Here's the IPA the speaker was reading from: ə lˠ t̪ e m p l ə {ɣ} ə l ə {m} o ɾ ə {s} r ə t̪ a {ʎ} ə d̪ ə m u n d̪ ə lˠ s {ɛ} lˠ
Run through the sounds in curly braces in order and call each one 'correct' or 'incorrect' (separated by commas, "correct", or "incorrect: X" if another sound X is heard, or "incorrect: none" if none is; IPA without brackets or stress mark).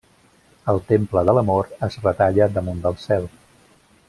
incorrect: ð, correct, incorrect: z, correct, correct